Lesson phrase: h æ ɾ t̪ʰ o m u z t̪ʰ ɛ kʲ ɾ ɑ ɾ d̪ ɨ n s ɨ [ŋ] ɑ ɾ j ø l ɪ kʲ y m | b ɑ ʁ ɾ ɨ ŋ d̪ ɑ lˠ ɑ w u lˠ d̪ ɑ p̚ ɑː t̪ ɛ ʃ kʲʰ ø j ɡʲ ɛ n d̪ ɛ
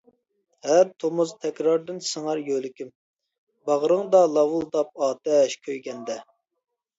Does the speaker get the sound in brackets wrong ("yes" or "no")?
no